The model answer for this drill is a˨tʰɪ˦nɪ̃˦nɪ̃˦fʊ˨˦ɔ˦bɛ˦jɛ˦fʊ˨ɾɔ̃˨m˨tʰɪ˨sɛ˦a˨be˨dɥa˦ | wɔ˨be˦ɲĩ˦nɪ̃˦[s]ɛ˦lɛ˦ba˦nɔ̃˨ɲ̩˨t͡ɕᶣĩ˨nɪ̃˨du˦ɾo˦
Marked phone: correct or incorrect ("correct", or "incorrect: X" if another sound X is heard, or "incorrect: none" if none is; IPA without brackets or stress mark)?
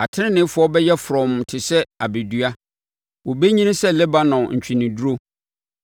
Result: correct